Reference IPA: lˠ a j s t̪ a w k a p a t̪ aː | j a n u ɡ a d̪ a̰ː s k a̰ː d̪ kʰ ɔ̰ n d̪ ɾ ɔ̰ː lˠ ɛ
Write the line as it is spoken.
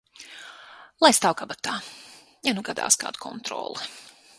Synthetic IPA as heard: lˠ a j s t̪ a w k a b a t̪ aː | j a n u ɡ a d̪ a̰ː s k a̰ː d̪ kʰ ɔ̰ n t̪ ɾ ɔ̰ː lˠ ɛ

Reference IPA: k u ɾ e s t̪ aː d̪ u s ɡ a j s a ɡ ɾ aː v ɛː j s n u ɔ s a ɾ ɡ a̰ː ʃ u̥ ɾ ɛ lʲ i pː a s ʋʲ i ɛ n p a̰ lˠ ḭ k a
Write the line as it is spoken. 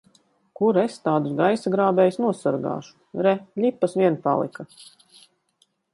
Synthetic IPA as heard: k u ɾ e s t̪ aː d̪ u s ɡ a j s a ɡ ɾ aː b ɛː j s n u ɔ s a ɾ ɡ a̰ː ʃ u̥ ɾ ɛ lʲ i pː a s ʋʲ i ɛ n p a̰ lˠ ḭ k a

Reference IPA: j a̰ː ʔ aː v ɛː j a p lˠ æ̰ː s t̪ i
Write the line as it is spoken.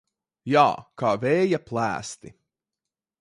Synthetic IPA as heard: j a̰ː k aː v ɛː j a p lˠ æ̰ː s t̪ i

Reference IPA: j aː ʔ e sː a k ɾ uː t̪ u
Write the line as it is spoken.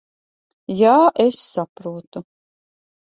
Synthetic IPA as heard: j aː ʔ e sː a p ɾ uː t̪ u

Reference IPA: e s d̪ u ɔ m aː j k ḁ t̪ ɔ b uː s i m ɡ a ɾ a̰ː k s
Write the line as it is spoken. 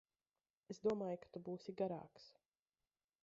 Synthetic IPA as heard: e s d̪ u ɔ m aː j k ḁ t̪ u b uː s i ɡ a ɾ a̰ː k s

